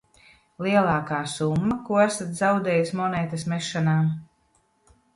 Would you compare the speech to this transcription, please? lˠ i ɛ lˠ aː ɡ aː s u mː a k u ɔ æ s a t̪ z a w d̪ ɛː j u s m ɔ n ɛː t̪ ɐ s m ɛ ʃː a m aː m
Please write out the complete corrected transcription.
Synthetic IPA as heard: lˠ i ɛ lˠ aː k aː s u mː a k u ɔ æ s a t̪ z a w d̪ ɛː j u s m ɔ n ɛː t̪ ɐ s m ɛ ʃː a n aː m